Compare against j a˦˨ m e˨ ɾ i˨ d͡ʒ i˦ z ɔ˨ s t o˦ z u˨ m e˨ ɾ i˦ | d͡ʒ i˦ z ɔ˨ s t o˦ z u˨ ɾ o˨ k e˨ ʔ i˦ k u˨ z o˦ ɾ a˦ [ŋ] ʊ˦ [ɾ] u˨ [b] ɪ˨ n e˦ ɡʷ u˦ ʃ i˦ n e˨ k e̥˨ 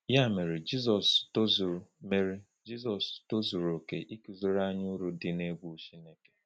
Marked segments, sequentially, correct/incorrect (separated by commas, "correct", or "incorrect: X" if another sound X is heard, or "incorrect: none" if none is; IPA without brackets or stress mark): incorrect: ɲ, correct, incorrect: d